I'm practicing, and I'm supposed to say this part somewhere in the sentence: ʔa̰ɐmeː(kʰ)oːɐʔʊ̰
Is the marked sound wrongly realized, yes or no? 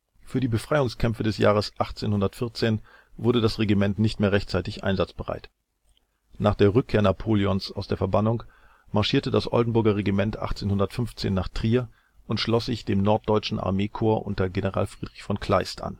no